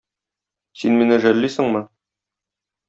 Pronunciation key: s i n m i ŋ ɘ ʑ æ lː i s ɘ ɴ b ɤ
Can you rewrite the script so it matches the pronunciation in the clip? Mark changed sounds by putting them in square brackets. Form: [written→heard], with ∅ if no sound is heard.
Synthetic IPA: s i n m i [ŋ→n] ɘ [ʑ→ʒ] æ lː i s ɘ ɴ [b→m] ɤ